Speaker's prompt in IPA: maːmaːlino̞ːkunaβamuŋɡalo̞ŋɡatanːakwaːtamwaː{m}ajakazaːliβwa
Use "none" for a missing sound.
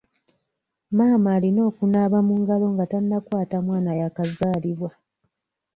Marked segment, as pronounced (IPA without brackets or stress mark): n